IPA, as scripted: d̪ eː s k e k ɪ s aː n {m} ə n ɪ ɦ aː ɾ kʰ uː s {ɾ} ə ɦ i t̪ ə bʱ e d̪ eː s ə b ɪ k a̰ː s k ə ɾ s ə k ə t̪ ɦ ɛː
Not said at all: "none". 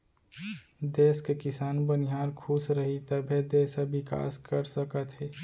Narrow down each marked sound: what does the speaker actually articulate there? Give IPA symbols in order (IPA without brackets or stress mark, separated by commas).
b, ɾ